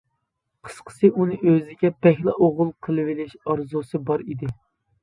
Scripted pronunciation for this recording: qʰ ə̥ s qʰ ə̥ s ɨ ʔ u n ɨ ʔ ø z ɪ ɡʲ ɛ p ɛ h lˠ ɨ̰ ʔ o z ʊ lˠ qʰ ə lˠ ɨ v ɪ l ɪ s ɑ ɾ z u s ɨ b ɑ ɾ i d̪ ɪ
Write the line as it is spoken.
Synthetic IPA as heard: qʰ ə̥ s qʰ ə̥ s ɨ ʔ u n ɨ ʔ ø z ɪ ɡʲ ɛ p ɛ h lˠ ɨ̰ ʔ o ʁ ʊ lˠ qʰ ə lˠ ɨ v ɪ l ɪ ʃ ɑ ɾ z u s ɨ b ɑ ɾ i d̪ ɪ